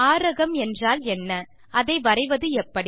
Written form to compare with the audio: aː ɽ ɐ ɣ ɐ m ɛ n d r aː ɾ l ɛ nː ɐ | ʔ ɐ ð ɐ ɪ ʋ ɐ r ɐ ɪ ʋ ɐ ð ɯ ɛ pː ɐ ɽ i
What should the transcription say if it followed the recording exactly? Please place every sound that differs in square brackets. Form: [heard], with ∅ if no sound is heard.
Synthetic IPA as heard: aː [ɾ] ɐ ɣ ɐ m ɛ n d r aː [∅] l ɛ nː ɐ | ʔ ɐ ð ɐ ɪ ʋ ɐ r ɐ ɪ ʋ ɐ ð ɯ ɛ pː ɐ ɽ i